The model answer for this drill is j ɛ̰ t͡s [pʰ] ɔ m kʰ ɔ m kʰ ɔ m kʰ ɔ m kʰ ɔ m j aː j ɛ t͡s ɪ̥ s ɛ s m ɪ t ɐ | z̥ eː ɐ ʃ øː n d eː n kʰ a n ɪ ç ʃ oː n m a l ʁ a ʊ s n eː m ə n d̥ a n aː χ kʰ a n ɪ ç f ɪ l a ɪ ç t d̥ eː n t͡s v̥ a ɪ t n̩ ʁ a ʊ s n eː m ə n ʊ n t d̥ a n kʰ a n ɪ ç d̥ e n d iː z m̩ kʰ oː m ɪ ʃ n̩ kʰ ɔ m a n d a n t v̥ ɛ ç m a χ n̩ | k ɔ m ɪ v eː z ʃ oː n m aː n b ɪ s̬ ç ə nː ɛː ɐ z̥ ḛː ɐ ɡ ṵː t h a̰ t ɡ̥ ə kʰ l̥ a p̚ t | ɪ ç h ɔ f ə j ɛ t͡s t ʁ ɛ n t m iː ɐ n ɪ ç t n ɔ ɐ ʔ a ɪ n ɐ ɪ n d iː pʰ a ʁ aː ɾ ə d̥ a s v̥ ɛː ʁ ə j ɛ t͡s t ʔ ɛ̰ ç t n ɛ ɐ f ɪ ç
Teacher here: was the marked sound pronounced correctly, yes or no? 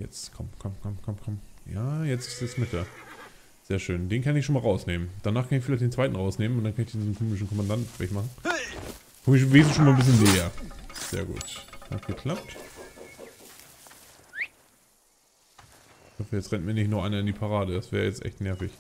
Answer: no